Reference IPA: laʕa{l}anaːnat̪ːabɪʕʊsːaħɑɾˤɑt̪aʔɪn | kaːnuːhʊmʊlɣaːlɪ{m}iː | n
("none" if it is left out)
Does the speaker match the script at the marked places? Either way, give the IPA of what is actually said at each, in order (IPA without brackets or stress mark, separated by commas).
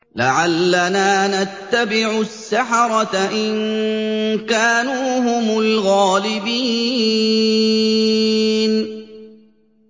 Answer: lː, b